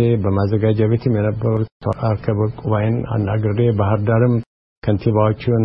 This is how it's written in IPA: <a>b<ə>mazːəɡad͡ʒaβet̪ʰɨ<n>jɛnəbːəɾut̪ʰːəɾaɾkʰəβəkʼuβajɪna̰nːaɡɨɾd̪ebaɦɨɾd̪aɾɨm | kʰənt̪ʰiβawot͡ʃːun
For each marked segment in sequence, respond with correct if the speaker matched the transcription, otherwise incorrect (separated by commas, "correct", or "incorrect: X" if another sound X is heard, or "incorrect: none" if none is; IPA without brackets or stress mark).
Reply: incorrect: e, correct, incorrect: m